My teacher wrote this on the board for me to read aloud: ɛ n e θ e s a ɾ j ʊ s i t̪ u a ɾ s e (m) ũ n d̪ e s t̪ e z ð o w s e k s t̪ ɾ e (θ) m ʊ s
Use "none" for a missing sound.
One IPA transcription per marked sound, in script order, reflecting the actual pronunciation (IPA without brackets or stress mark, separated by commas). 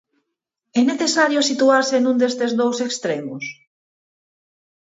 n, none